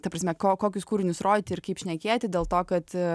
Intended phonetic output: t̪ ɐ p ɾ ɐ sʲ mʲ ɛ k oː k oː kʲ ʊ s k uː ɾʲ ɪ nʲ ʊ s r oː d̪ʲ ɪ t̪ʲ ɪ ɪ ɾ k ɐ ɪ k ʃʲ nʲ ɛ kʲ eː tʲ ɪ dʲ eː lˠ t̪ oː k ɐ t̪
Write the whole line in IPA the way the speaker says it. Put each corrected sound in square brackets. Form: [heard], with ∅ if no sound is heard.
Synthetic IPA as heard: t̪ ɐ p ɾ ɐ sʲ mʲ ɛ k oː k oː kʲ ʊ s k uː ɾʲ ɪ nʲ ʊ s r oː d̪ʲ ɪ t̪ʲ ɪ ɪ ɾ k ɐ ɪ [p] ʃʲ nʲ ɛ kʲ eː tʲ ɪ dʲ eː lˠ t̪ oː k ɐ t̪

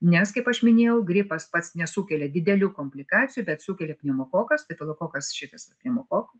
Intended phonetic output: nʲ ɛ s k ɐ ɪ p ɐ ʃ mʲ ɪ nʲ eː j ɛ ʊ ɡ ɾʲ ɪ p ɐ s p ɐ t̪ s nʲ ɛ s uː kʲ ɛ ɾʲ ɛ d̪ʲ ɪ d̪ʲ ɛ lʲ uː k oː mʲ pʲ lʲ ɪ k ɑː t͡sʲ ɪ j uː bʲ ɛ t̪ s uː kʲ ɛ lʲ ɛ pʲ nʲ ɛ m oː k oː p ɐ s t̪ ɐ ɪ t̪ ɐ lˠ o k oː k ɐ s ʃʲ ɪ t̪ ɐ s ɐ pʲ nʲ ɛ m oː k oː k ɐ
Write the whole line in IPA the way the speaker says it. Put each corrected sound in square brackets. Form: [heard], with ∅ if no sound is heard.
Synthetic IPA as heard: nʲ ɛ s k ɐ ɪ p ɐ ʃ mʲ ɪ nʲ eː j ɛ ʊ ɡ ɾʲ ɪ p ɐ s p ɐ t̪ s nʲ ɛ s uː kʲ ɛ [lʲ] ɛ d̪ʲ ɪ d̪ʲ ɛ lʲ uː k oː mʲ pʲ lʲ ɪ k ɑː t͡sʲ ɪ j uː bʲ ɛ t̪ s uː kʲ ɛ lʲ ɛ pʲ nʲ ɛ m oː k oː [k] ɐ s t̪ ɐ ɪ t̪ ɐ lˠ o k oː k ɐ s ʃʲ ɪ t̪ ɐ s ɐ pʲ nʲ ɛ m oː k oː k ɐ

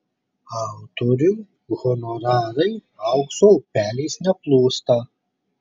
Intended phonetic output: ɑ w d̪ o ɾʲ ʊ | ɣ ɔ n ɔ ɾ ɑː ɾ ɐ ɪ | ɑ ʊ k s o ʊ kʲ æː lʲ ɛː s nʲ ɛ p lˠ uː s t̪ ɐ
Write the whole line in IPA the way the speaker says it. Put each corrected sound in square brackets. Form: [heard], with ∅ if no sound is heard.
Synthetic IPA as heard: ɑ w [t̪] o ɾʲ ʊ | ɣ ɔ n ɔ ɾ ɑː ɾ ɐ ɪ | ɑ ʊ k s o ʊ [pʲ] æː lʲ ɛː s nʲ ɛ p lˠ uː s t̪ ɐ

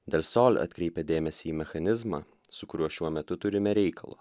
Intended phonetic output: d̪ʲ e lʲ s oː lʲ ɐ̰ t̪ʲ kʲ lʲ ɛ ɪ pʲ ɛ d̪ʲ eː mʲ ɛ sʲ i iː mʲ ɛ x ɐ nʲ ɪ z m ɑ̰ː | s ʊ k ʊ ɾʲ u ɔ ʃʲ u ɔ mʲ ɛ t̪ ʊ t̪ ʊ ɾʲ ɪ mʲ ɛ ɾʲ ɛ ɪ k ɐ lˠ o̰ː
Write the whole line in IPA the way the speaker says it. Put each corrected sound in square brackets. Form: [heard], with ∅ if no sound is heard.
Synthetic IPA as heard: d̪ʲ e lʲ s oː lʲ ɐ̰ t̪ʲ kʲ [ɾʲ] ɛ ɪ pʲ ɛ d̪ʲ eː mʲ ɛ sʲ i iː mʲ ɛ x ɐ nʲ ɪ z m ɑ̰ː | s ʊ k ʊ ɾʲ u ɔ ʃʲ u ɔ mʲ ɛ t̪ ʊ t̪ ʊ ɾʲ ɪ mʲ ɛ ɾʲ ɛ ɪ k ɐ lˠ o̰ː

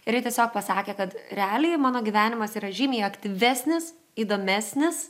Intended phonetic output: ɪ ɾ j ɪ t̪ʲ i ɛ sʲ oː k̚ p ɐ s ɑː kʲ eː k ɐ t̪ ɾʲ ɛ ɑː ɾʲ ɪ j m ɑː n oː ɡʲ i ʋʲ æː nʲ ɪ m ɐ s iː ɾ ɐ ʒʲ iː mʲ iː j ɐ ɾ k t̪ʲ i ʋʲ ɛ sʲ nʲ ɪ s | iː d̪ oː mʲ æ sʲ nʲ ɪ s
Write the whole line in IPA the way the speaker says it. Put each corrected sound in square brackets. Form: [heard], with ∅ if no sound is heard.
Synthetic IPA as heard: ɪ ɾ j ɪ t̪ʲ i ɛ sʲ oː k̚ p ɐ s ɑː kʲ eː k ɐ t̪ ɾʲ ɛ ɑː [lʲ] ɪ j m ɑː n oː ɡʲ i ʋʲ æː nʲ ɪ m ɐ s iː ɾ ɐ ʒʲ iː mʲ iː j ɐ [∅] k t̪ʲ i ʋʲ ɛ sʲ nʲ ɪ s | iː d̪ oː mʲ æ sʲ nʲ ɪ s

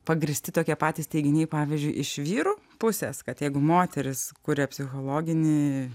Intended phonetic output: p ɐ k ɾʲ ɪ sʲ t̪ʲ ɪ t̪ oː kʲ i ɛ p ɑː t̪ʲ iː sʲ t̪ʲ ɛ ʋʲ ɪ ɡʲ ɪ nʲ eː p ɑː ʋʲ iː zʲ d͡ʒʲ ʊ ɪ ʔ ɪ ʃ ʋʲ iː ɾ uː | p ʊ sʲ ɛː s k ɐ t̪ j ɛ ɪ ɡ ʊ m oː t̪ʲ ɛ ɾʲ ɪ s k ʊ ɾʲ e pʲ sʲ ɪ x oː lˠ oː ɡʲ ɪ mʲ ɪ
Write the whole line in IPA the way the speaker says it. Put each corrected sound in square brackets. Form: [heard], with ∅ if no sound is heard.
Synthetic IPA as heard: p ɐ [ɡ] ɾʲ ɪ sʲ t̪ʲ ɪ t̪ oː kʲ i ɛ p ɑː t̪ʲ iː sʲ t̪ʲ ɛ [∅] ɪ ɡʲ ɪ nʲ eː p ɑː ʋʲ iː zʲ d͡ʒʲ ʊ ɪ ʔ ɪ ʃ ʋʲ iː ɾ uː | p ʊ sʲ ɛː s k ɐ t̪ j ɛ ɪ ɡ ʊ m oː t̪ʲ ɛ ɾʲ ɪ s k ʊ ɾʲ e pʲ sʲ ɪ x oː lˠ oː ɡʲ ɪ [nʲ] ɪ

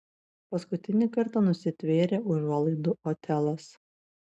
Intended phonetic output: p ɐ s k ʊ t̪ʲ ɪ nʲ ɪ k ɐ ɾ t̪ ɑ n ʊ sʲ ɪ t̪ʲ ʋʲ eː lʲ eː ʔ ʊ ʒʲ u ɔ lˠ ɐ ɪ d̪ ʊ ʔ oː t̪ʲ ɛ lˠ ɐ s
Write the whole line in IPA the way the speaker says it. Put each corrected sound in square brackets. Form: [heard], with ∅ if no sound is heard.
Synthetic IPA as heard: p ɐ s k ʊ t̪ʲ ɪ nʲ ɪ k ɐ ɾ t̪ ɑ n ʊ sʲ ɪ t̪ʲ ʋʲ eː [ɾʲ] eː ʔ ʊ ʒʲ u ɔ lˠ ɐ ɪ d̪ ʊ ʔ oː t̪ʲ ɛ lˠ ɐ s

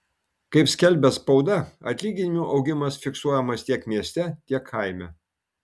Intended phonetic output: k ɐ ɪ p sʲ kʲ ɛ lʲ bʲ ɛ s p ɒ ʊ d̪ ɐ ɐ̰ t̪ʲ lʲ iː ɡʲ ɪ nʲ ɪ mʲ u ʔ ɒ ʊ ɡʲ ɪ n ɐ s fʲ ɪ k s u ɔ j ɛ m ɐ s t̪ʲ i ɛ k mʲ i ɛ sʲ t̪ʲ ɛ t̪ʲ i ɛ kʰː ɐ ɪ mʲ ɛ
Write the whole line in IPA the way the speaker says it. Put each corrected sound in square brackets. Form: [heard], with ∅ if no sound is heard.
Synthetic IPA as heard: k ɐ ɪ p sʲ kʲ ɛ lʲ bʲ ɛ s p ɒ ʊ d̪ ɐ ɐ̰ t̪ʲ lʲ iː ɡʲ ɪ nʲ ɪ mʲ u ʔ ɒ ʊ ɡʲ ɪ [m] ɐ s fʲ ɪ k s u ɔ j ɛ m ɐ s t̪ʲ i ɛ k mʲ i ɛ sʲ t̪ʲ ɛ t̪ʲ i ɛ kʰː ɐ ɪ mʲ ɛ

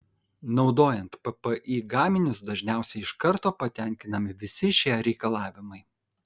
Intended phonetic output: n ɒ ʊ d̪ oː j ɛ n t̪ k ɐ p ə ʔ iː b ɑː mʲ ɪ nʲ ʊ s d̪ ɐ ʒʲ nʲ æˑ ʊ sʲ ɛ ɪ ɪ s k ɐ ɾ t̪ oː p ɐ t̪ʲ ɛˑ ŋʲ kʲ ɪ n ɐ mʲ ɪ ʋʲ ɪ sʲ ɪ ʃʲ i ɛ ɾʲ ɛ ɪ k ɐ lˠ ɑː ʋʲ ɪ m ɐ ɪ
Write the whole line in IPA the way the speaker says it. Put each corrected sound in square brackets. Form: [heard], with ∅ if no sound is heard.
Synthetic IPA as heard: n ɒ ʊ d̪ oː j ɛ n t̪ [p] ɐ p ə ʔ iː [ɡ] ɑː mʲ ɪ nʲ ʊ s d̪ ɐ ʒʲ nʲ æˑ ʊ sʲ ɛ ɪ ɪ [ʃ] k ɐ ɾ t̪ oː p ɐ t̪ʲ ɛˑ ŋʲ kʲ ɪ n ɐ mʲ ɪ ʋʲ ɪ sʲ ɪ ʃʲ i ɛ ɾʲ ɛ ɪ k ɐ lˠ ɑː ʋʲ ɪ m ɐ ɪ

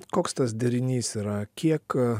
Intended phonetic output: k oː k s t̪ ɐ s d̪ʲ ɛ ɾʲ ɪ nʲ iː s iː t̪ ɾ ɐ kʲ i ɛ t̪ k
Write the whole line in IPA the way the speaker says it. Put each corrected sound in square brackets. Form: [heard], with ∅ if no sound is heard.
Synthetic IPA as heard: k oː k s t̪ ɐ s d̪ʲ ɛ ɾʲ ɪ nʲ iː s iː [∅] ɾ ɐ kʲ i ɛ [∅] k

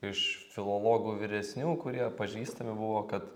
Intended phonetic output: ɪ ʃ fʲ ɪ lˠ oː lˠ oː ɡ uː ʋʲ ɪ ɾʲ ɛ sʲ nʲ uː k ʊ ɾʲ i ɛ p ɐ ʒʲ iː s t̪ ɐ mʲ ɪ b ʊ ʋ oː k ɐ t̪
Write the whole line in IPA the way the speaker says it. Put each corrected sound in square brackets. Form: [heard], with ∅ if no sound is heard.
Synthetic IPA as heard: ɪ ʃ fʲ ɪ lˠ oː lˠ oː ɡ uː ʋʲ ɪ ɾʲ ɛ sʲ nʲ uː k ʊ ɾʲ i ɛ p ɐ ʒʲ iː s t̪ ɐ mʲ ɪ b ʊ ʋ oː k ɐ t̪

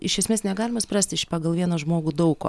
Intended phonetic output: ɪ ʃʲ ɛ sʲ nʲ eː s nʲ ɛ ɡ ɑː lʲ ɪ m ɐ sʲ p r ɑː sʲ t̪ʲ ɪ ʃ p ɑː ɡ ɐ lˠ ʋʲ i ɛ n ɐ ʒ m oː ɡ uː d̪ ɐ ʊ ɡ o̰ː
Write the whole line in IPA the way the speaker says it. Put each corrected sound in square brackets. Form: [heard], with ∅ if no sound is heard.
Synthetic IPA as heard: ɪ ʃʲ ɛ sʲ [mʲ] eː s nʲ ɛ ɡ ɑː lʲ ɪ m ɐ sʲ p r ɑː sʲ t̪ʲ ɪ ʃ p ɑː ɡ ɐ lˠ ʋʲ i ɛ n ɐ ʒ m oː ɡ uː d̪ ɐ ʊ [k] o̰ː

